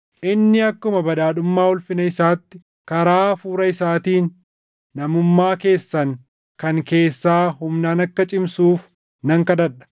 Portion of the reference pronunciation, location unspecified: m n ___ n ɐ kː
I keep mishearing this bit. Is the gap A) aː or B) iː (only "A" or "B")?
A